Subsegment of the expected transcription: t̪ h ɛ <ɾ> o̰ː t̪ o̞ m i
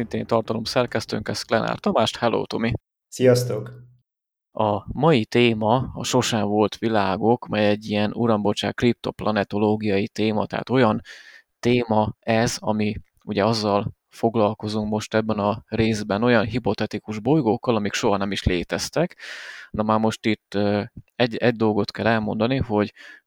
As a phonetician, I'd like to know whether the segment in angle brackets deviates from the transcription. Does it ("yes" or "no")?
yes